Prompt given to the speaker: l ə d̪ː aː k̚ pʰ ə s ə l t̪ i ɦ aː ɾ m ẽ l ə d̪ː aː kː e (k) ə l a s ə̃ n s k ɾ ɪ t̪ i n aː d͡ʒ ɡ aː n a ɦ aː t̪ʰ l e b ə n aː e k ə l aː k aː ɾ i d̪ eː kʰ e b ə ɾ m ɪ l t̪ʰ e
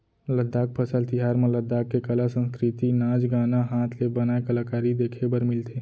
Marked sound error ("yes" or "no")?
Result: no